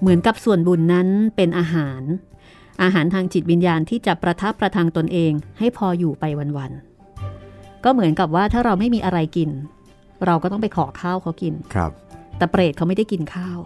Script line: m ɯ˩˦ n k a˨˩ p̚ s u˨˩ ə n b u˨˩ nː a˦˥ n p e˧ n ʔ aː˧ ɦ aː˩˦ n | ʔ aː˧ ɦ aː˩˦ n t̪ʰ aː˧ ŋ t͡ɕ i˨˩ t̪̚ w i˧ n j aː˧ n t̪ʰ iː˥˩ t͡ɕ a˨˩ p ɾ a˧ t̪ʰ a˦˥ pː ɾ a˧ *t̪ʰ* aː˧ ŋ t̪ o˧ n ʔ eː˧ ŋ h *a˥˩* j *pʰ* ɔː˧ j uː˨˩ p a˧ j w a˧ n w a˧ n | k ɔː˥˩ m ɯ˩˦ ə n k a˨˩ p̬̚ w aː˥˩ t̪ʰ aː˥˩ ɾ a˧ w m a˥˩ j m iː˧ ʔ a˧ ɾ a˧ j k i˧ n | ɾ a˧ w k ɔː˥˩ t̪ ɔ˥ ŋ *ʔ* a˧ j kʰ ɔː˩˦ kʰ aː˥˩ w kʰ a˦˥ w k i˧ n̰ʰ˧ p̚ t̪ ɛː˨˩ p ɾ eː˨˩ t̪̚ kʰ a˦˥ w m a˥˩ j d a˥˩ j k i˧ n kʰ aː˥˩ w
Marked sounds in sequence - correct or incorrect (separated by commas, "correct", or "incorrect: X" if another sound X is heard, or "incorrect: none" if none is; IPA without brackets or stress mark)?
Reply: correct, correct, correct, incorrect: p